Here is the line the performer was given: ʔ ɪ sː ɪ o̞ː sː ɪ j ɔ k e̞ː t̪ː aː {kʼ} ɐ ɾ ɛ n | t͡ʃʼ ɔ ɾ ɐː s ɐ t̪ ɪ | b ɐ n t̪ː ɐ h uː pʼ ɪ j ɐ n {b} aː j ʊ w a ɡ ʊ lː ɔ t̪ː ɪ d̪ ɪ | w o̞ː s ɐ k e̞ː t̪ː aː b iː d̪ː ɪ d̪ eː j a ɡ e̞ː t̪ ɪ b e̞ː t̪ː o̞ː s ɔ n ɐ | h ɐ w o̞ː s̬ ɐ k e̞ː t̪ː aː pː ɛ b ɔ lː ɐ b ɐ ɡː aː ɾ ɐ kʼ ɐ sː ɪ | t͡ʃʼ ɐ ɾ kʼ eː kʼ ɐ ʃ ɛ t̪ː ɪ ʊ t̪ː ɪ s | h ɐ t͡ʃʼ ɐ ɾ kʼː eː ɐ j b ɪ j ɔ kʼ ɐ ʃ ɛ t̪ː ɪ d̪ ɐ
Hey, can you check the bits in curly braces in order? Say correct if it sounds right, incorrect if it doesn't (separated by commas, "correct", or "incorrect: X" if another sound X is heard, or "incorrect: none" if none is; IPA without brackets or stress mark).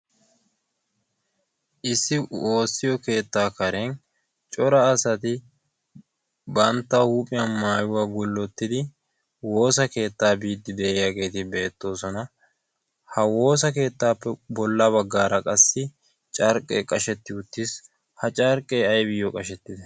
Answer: incorrect: k, incorrect: m